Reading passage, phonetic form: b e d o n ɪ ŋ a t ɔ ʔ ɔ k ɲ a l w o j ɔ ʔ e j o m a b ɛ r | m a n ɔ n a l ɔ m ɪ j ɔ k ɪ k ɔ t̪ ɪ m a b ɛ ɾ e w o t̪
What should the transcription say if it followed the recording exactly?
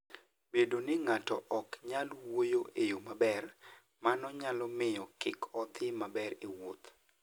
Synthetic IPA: b e d o n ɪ ŋ a t ɔ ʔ ɔ k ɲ a l w o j o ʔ e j o m a b ɛ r | m a n ɔ ɲ a l ɔ m ɪ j ɔ k ɪ k ɔ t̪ ɪ m a b ɛ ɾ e w o t̪